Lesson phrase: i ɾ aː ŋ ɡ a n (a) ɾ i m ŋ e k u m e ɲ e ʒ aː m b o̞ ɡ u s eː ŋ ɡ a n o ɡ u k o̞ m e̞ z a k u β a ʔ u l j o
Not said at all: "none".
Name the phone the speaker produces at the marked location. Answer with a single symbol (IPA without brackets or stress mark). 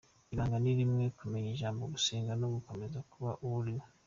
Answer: i